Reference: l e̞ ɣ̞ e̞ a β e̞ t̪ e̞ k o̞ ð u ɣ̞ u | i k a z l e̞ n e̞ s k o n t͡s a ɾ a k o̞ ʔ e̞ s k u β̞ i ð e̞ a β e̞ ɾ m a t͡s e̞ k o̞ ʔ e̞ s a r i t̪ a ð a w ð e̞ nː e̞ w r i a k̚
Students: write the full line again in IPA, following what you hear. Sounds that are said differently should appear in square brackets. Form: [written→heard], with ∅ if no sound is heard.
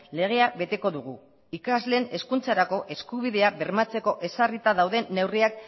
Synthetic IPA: l e̞ ɣ̞ e̞ a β e̞ t̪ e̞ k o̞ ð u ɣ̞ u | i k a z l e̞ n e̞ s k [o→u] n t͡s a ɾ a k o̞ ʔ e̞ s k u β̞ i ð e̞ a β e̞ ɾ m a t͡s e̞ k o̞ ʔ e̞ s a r i t̪ a ð a w ð e̞ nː e̞ w r i a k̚